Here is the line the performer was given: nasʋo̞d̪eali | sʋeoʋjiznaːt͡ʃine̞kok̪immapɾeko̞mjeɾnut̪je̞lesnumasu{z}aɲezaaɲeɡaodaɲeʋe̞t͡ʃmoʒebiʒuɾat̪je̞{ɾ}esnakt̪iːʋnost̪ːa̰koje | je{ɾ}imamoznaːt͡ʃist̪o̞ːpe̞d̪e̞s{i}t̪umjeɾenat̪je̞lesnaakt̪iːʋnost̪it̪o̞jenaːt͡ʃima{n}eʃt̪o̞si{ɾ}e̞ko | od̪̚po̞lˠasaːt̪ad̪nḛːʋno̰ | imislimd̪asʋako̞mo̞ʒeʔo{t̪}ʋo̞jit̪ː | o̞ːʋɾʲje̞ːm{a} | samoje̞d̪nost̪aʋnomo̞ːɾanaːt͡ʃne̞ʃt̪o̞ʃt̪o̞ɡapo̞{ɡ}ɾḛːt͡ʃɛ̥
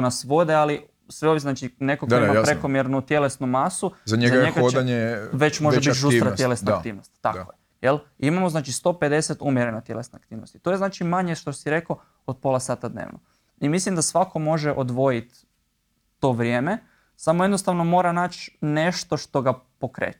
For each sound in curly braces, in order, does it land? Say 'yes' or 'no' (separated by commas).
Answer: yes, no, no, no, no, yes, no, no, no